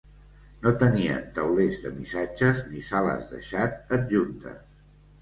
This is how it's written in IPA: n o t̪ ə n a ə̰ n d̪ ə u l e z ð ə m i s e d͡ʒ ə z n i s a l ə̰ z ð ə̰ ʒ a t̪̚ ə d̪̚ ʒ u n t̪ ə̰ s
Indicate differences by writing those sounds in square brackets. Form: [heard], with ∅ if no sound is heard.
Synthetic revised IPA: n o t̪ ə n [i] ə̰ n [t̪] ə [w] l e z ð ə m i s [a] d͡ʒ ə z n i s a l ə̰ z ð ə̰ [ʃ] a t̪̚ ə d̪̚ ʒ u n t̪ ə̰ s